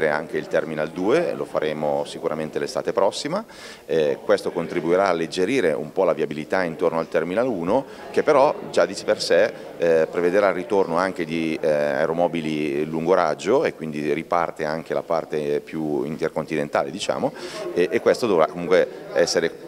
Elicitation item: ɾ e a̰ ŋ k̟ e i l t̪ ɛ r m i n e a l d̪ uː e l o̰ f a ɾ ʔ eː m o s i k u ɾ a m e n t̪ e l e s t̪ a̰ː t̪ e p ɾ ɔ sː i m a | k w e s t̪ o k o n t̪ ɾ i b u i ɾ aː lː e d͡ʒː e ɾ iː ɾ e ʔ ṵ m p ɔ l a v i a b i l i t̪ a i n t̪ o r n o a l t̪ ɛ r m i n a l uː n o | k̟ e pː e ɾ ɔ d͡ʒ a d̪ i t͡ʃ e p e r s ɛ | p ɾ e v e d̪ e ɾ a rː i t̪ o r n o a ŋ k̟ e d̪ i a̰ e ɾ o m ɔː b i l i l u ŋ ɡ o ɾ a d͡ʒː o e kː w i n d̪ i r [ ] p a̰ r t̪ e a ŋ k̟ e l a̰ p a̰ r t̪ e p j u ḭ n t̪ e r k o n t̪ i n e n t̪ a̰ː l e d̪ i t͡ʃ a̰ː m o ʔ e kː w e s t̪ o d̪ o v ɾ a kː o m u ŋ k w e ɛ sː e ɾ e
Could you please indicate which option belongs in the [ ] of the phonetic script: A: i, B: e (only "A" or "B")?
A